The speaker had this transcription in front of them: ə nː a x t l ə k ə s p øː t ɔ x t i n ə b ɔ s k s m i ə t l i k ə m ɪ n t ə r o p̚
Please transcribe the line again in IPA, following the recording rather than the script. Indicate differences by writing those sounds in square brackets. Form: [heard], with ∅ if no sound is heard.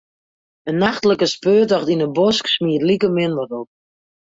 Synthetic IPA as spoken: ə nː a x t l ə k ə s p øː t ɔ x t i n ə b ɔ s k s m i ə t l i k ə m ɪ n [d] ə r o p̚